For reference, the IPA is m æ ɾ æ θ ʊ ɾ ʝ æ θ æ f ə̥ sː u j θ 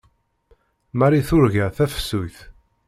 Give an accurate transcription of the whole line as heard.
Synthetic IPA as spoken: m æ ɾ i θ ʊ ɾ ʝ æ θ æ f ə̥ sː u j θ